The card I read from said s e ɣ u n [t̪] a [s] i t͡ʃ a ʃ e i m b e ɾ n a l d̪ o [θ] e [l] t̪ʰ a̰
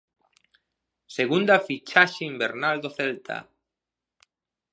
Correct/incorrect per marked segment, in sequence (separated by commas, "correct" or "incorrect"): incorrect, incorrect, correct, correct